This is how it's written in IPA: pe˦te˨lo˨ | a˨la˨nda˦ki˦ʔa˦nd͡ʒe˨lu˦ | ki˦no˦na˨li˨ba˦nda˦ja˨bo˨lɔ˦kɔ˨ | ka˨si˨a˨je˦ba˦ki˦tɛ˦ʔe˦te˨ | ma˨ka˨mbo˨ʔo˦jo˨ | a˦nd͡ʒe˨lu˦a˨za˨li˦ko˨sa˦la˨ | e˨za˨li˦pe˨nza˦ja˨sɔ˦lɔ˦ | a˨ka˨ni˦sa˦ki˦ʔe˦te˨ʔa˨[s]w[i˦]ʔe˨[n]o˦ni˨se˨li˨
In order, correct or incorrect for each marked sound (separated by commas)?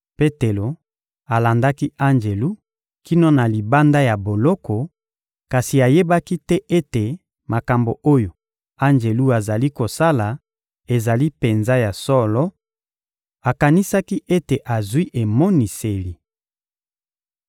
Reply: incorrect, correct, incorrect